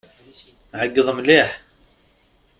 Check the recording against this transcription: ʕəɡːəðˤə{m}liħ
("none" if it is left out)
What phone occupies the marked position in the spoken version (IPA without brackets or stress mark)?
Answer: m